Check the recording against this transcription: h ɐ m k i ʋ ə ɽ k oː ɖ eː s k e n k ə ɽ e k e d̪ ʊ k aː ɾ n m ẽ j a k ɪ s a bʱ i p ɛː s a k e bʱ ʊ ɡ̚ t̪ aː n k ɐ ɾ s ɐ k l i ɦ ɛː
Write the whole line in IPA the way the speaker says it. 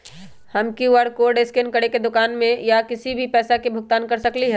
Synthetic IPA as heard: h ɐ m k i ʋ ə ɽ k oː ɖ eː s k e n k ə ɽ e k e d̪ ʊ k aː n m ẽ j a k ɪ s i bʱ i p ɛː s a k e bʱ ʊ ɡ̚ t̪ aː n k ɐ ɾ s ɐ k l i ɦ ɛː

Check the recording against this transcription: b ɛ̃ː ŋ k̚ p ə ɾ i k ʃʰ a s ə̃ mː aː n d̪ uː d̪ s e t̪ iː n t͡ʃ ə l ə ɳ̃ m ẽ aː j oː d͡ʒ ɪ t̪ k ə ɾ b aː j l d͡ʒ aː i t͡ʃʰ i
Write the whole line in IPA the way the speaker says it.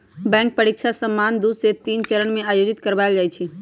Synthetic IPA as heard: b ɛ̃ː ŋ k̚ p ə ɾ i k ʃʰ a s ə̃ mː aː n d̪ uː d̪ s e t̪ iː n t͡ʃ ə ɾ ə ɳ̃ m ẽ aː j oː d͡ʒ ɪ t̪ k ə ɾ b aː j l d͡ʒ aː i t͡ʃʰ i

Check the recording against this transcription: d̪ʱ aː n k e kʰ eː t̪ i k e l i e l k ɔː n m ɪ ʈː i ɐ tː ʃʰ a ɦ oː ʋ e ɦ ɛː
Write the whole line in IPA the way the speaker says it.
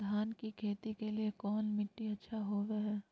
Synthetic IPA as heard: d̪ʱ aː n k i kʰ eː t̪ i k e l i e k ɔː n m ɪ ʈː i ɐ tː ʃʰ a ɦ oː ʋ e ɦ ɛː

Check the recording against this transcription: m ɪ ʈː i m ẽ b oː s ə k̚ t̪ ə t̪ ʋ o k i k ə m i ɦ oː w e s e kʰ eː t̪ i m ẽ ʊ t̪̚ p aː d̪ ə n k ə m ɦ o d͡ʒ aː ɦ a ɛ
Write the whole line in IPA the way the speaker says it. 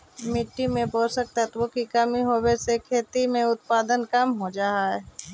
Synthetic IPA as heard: m ɪ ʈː i m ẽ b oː s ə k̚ t̪ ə t̪ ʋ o k i k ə m i ɦ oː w e s e kʰ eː t̪ i m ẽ ʊ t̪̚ p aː d̪ ə n k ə m ɦ o d͡ʒ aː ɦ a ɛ

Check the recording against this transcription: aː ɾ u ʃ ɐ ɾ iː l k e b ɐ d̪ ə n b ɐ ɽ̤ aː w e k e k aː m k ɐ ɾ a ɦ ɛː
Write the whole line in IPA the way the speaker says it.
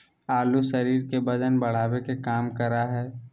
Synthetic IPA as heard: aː l u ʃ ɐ ɾ iː ɾ k e b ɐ d̪ ə n b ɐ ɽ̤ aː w e k e k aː m k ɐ ɾ a ɦ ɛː

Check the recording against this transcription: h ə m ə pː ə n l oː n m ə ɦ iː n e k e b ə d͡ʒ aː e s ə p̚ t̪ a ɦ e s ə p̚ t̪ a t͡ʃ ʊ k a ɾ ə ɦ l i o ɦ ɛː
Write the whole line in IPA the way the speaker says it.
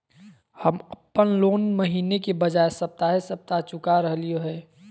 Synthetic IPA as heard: h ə m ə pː ə n l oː n m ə ɦ iː n e k e b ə d͡ʒ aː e s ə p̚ t̪ a ɦ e s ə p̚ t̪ a t͡ʃ ʊ k a ɾ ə ɦ l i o ɦ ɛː

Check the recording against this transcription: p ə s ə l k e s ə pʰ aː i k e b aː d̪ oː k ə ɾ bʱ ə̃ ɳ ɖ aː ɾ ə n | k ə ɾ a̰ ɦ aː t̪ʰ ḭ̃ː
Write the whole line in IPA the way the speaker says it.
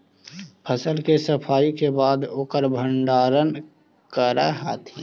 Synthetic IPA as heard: pʰ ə s ə l k e s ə pʰ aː i k e b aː d̪ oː k ə ɾ bʱ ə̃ ɳ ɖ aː ɾ ə n | k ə ɾ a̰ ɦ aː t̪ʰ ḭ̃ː

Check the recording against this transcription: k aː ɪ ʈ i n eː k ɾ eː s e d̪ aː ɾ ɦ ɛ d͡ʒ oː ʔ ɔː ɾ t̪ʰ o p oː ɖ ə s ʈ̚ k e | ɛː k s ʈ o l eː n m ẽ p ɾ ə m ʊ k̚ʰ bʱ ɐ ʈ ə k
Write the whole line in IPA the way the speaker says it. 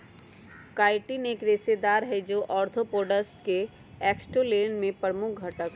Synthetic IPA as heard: k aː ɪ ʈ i n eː k ɾ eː s e d̪ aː ɾ ɦ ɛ d͡ʒ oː ʔ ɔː ɾ t̪ʰ o p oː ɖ ə s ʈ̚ k e | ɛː k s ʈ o l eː n m ẽ p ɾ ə m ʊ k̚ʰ ɡʱ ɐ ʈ ə k

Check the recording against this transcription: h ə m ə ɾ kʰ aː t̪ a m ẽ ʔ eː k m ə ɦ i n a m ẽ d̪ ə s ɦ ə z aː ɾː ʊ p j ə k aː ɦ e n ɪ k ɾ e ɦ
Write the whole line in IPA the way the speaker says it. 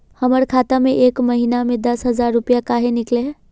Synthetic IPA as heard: h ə m ə ɾ kʰ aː t̪ a m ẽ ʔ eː k m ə ɦ i n a m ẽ d̪ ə s ɦ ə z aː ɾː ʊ p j a k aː ɦ e n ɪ k l e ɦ

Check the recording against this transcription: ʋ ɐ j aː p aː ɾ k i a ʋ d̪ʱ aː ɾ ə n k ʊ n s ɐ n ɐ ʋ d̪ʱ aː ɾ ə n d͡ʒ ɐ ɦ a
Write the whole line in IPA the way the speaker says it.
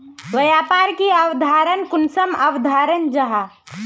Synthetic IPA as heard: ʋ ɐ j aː p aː ɾ k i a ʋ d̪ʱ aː ɾ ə n k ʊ n s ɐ m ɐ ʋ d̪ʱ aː ɾ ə n d͡ʒ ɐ ɦ a

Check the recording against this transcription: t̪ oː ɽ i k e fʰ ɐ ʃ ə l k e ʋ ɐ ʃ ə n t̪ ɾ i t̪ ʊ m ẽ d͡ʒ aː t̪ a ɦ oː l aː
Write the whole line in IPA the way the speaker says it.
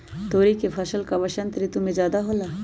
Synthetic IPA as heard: t̪ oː ɾ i k e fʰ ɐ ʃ ə l k a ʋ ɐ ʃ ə n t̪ ɾ i t̪ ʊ m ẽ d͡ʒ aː d̪ a ɦ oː l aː

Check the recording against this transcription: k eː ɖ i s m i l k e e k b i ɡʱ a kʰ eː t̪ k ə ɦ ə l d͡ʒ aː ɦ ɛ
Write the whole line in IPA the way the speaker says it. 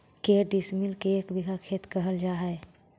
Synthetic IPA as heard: k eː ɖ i s m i l k e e k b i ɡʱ a kʰ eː t̪ k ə ɦ ə l d͡ʒ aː ɦ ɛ

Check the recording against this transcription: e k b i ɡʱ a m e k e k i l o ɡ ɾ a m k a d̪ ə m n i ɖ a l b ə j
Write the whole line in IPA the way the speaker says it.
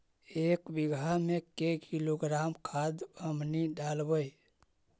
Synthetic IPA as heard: e k b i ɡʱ a m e k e k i l o ɡ ɾ a m kʰ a d̪ ə m n i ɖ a l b ə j

